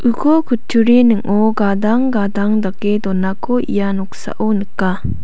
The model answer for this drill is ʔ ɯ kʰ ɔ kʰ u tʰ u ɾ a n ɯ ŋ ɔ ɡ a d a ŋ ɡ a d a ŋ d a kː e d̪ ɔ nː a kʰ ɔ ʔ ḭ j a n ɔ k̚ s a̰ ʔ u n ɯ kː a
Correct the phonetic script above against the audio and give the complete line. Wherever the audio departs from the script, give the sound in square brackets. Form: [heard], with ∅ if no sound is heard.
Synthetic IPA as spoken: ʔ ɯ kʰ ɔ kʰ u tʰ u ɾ [i] n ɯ ŋ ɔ ɡ a d a ŋ ɡ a d a ŋ d a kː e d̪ ɔ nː a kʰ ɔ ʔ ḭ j a n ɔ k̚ s a̰ ʔ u n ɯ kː a